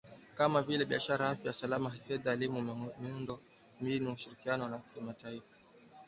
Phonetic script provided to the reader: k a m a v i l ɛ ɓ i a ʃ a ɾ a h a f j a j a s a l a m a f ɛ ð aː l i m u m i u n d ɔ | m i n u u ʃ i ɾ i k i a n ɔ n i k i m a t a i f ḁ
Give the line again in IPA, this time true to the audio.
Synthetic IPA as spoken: k a m a v i l ɛ ɓ i a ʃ a ɾ a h a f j a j a s a l a m a f ɛ ð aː l i m u m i u n d ɔ | m i n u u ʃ i ɾ i k i a n ɔ n a k i m a t a i f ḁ